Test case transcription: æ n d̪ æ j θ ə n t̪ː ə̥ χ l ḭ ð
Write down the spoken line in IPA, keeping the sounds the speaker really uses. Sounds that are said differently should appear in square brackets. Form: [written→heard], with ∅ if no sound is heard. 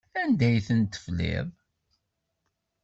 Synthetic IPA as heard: æ n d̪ æ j θ ə n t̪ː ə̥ [χ→f] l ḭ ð